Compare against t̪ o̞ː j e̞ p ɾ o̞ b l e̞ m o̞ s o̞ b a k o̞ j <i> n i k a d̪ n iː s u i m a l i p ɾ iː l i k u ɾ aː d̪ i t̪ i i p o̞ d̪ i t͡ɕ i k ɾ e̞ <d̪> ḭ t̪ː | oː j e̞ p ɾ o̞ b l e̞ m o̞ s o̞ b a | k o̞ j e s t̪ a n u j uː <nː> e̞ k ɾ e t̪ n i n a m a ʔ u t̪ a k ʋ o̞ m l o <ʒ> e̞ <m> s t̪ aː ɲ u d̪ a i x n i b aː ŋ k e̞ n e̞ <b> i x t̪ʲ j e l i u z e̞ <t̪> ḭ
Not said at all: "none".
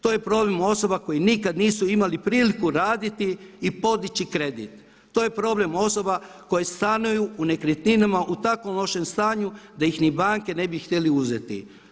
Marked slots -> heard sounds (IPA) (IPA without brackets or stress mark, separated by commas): i, d̪, n, ʃ, m, b, t̪